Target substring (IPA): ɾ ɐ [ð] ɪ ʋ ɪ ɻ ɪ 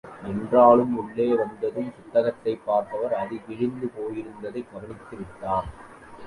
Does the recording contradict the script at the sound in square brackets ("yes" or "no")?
no